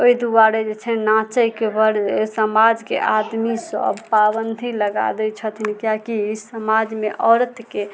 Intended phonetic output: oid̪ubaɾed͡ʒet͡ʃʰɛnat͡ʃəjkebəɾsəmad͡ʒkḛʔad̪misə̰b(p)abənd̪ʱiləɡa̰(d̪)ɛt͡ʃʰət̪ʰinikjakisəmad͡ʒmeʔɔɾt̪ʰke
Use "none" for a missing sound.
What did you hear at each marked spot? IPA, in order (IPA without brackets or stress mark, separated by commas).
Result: p, d̪